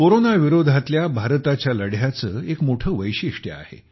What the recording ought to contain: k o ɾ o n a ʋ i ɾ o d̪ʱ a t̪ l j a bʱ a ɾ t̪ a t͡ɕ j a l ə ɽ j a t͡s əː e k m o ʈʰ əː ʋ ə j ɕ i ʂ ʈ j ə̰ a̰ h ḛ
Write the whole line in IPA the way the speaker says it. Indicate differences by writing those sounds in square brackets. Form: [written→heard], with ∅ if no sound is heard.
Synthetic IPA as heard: k o ɾ o n a ʋ i ɾ o d̪ʱ a t̪ l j a bʱ a ɾ t̪ a t͡ɕ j a l ə ɽ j a t͡s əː e k m o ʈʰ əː ʋ ə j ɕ i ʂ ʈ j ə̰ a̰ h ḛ